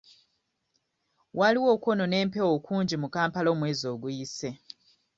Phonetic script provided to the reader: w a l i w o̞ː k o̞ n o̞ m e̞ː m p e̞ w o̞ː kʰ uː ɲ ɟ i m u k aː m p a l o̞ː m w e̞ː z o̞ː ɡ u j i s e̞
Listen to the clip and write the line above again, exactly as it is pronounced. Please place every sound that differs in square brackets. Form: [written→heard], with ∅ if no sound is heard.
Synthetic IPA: w a l i w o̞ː k o̞ n o̞ [m→n] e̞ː m p e̞ w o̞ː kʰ uː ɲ ɟ i m u k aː m p a l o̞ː m w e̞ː z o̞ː ɡ u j i s e̞